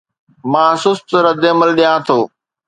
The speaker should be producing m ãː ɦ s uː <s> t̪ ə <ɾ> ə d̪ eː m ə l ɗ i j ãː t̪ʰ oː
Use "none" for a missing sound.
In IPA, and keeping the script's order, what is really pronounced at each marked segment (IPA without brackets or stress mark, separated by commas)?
s, ɾ